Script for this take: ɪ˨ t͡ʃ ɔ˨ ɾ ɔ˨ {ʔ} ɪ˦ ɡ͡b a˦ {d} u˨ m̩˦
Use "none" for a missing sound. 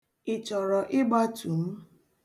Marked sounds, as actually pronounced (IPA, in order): ʔ, t

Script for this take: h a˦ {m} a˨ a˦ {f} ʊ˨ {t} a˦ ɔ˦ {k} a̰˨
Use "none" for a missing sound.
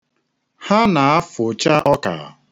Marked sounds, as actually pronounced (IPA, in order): n, f, t͡ʃ, k

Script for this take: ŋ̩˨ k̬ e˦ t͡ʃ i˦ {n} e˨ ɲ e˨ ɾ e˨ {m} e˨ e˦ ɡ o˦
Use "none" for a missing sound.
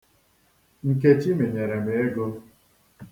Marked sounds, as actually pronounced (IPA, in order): m, m

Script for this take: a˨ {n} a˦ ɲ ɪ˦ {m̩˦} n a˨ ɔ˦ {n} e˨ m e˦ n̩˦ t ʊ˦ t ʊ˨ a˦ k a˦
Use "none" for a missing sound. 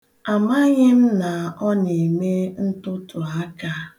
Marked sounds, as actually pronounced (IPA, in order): m, m̩˦, n

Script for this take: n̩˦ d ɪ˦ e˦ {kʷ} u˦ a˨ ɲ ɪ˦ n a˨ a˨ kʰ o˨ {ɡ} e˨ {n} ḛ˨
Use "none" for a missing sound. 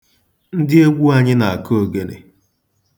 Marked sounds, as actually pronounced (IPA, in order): ɡʷ, ɡ, n

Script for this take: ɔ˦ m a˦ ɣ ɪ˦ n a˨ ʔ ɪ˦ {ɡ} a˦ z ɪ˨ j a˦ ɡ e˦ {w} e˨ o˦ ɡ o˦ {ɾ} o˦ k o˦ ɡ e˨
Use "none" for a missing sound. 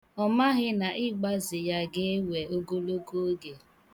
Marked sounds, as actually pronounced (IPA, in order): ɡ͡b, w, l

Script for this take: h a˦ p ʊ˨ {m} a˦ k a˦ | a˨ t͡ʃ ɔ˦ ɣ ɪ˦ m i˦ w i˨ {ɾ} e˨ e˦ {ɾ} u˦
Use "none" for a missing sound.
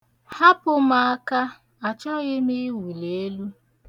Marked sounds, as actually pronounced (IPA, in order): m, l, l

